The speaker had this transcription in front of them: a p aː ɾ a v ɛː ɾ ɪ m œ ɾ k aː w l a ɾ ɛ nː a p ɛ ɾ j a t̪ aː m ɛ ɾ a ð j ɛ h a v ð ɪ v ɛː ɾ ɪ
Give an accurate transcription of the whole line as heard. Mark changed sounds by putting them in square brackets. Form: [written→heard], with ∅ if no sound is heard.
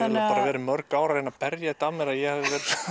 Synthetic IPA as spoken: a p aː ɾ a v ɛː ɾ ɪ m œ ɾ k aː w [l→ɾ] a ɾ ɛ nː a p ɛ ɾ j a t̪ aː m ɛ ɾ a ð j ɛ h a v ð ɪ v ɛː ɾ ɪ

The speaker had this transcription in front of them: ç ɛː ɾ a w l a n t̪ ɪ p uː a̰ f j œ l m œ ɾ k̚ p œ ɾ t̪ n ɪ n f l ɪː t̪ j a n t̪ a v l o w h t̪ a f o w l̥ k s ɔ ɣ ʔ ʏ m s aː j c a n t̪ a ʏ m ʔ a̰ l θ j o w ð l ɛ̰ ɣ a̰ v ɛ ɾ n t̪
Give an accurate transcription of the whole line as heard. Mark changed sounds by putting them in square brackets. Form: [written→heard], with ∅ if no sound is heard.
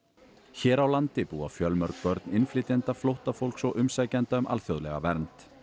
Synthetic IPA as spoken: ç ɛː ɾ a w l a n t̪ ɪ p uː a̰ f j œ l m œ ɾ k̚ p œ ɾ t̪ n ɪ n f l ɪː t̪ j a n t̪ a [v→f] l o w h t̪ a f o w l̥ k s ɔ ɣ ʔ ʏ m s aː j c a n t̪ a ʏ m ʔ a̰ l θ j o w ð l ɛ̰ ɣ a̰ v ɛ ɾ n t̪

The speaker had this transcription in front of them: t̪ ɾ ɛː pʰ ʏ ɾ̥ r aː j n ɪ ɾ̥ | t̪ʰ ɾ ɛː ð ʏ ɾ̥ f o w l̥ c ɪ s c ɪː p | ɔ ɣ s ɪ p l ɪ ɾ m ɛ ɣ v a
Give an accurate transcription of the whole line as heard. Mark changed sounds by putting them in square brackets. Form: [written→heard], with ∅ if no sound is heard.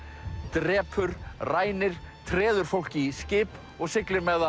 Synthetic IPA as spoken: t̪ ɾ ɛː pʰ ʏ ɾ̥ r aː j n ɪ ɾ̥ | t̪ʰ ɾ ɛː ð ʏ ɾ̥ f o w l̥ c ɪ s c ɪː p | ɔ ɣ s ɪ [p→k] l ɪ ɾ m ɛ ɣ [v→ð] a

